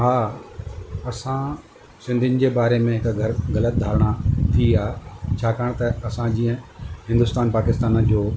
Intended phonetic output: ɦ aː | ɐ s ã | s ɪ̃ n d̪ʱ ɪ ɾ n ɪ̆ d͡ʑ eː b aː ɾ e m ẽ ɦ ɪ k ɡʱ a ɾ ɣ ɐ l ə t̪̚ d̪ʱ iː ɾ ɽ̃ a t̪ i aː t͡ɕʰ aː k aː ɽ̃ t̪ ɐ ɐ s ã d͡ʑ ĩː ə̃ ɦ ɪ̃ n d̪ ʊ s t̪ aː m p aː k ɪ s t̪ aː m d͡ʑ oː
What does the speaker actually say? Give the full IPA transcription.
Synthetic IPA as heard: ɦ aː | ɐ s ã | s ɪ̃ n d̪ʱ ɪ n ɪ̆ d͡ʑ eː b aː ɾ e m ẽ ɦ ɪ k ɡʱ ɐ ɾ ɣ ɐ l ə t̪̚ d̪ʱ aː ɾ ɽ̃ a t̪ʰ i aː t͡ɕʰ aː k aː ɽ̃ t̪ ɐ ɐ s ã d͡ʑ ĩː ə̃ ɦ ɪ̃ n d̪ ʊ s t̪ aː n p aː k ɪ s t̪ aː n d͡ʑ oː